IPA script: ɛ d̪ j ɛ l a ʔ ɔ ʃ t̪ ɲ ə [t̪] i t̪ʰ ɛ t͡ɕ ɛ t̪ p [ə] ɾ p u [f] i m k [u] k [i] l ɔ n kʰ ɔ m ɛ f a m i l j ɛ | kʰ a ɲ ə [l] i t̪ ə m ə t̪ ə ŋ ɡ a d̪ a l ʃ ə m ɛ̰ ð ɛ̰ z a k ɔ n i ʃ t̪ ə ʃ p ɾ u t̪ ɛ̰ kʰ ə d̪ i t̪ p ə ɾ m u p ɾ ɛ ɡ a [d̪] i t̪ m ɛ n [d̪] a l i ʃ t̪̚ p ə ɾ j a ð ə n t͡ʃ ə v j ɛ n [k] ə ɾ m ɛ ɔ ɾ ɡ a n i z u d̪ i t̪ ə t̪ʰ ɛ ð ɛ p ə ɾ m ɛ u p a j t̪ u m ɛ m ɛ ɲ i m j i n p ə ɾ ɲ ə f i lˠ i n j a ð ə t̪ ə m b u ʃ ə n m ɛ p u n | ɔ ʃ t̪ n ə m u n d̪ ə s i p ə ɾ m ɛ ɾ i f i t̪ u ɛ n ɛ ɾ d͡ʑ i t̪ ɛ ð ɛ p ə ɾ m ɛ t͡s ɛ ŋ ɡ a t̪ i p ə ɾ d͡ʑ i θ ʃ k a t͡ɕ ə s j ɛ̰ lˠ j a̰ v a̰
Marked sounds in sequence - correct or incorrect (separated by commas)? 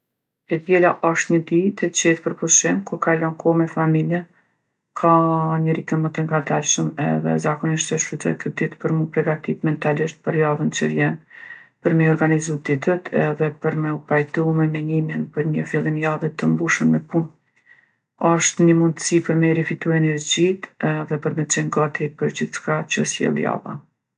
incorrect, correct, incorrect, correct, incorrect, incorrect, incorrect, incorrect, incorrect